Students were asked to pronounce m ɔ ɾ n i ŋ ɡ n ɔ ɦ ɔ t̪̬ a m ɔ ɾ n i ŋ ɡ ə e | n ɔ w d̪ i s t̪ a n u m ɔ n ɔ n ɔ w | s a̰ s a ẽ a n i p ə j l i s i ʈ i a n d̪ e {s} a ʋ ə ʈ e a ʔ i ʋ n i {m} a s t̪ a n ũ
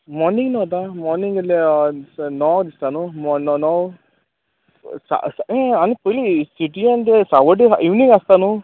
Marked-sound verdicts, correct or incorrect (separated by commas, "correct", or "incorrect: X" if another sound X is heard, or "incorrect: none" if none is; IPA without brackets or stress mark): correct, incorrect: ŋ